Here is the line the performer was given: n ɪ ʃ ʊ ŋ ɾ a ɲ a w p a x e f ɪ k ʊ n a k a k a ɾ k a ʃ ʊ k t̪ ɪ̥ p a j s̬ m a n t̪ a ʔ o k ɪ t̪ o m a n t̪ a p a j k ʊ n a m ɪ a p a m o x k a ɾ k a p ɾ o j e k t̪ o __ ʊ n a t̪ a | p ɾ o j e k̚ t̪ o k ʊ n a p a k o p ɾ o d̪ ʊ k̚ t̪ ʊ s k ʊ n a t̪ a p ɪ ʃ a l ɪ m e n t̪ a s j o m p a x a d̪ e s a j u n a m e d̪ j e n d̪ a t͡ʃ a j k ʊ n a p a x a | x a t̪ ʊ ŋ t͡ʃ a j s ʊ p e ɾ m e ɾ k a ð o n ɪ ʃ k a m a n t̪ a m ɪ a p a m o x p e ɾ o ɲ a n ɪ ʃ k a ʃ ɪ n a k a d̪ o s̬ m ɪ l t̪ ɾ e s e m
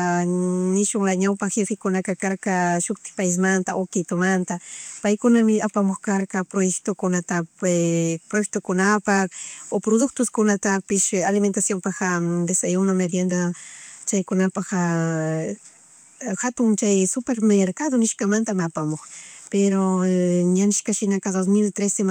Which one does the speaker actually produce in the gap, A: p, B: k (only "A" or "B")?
B